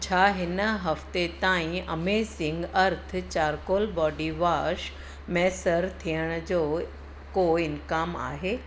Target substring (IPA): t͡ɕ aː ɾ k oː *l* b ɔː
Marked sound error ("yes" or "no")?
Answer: no